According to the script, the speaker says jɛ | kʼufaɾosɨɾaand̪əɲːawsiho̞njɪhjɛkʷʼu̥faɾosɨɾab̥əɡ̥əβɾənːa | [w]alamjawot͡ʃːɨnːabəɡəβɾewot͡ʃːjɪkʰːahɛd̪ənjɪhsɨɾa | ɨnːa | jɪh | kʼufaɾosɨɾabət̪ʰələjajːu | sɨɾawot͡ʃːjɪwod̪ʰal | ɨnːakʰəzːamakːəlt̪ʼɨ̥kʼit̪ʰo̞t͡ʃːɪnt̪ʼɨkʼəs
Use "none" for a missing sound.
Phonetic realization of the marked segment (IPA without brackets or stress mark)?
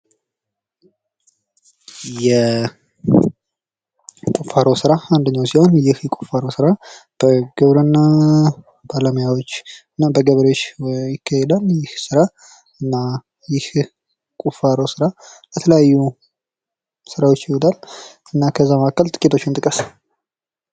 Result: b